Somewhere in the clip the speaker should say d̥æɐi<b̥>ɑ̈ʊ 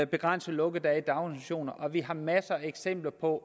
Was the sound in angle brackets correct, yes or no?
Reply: no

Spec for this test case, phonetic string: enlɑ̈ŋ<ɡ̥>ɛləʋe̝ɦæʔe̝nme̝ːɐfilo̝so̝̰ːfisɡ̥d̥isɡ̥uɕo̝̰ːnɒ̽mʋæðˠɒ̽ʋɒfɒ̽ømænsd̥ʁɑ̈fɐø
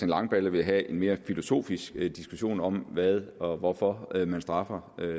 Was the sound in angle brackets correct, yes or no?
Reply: no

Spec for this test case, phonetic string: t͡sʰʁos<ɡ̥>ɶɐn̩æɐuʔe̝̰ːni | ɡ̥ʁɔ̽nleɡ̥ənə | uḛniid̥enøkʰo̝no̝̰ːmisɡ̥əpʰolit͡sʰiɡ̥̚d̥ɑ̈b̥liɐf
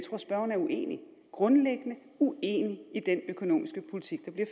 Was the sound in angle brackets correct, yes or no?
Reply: no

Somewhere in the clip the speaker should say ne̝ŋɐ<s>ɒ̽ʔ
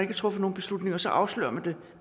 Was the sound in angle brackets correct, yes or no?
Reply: yes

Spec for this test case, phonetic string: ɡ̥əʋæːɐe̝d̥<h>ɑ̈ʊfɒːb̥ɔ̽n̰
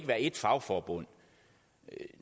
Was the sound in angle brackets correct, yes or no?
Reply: no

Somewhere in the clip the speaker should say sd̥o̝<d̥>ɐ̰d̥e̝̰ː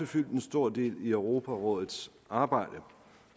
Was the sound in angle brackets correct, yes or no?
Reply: no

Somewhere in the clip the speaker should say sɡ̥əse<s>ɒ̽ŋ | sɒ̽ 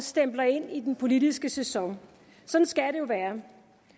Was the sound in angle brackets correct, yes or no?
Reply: yes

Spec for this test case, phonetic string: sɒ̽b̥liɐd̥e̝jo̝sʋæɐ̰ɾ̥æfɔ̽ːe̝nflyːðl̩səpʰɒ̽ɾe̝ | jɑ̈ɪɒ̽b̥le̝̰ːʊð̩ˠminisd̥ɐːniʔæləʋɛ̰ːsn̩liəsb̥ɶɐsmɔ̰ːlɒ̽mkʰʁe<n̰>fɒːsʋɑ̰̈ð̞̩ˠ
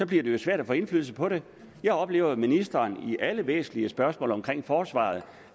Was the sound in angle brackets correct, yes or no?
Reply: no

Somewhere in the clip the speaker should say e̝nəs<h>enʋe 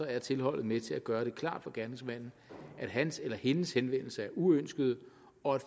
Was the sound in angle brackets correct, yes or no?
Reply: yes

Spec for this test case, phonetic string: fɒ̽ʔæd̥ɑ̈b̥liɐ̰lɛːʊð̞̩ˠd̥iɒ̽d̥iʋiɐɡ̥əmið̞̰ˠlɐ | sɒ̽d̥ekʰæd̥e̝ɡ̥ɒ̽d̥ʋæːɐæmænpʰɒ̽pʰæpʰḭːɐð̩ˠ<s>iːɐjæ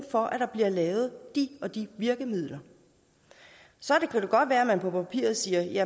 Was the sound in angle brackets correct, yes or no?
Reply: yes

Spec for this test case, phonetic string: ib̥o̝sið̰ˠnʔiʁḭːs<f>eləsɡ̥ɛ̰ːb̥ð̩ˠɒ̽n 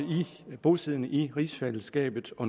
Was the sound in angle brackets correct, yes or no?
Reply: yes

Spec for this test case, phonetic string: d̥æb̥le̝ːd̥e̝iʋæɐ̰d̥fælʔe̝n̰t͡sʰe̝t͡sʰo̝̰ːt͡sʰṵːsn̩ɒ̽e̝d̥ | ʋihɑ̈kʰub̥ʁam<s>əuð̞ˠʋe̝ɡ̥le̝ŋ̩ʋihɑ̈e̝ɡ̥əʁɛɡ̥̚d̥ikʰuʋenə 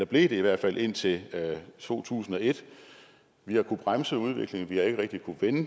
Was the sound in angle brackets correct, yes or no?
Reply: yes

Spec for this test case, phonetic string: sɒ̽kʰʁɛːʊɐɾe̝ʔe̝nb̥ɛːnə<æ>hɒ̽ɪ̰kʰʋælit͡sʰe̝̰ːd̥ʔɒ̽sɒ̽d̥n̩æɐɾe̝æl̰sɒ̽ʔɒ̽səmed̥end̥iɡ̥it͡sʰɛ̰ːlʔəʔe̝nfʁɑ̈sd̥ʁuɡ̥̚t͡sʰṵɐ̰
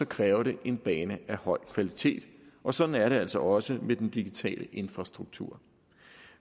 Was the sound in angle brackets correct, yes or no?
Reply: yes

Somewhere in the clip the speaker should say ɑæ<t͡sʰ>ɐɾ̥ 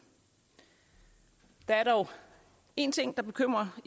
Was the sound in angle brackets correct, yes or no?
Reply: no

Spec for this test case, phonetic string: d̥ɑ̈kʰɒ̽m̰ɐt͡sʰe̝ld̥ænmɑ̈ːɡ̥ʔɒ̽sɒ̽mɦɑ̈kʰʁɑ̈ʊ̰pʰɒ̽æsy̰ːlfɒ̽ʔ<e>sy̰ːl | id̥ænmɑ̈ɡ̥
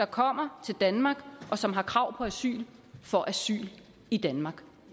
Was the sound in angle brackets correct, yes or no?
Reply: no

